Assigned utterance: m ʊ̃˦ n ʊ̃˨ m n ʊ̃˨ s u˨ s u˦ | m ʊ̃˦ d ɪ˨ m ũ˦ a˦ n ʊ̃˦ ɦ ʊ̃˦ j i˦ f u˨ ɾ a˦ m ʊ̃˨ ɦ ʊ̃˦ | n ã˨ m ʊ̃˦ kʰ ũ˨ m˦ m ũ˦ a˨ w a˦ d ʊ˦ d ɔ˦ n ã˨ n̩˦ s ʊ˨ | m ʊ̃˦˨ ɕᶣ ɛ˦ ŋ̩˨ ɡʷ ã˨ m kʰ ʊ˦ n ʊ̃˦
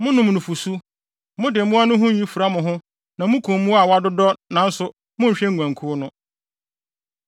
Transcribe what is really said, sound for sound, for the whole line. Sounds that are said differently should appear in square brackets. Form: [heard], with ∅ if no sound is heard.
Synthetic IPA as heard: m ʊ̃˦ n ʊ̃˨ m n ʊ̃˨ [f] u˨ s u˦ | m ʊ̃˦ d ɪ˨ m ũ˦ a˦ n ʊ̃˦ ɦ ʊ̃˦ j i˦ f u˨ ɾ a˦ m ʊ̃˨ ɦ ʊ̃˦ | n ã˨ m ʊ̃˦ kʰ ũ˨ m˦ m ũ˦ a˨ w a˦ d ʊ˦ d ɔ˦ n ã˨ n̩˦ s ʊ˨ | m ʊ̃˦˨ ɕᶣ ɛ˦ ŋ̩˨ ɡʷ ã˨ [ŋ] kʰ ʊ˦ n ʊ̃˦